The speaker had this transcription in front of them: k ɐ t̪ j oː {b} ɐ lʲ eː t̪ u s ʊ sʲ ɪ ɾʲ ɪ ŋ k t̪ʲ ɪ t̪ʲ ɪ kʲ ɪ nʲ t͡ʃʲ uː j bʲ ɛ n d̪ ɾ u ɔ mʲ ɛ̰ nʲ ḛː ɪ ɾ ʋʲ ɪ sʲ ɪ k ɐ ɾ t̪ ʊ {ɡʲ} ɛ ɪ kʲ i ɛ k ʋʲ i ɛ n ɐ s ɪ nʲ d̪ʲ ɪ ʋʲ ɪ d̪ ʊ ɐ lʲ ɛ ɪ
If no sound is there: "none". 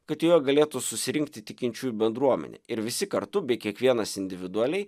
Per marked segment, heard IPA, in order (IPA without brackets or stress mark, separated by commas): ɡ, bʲ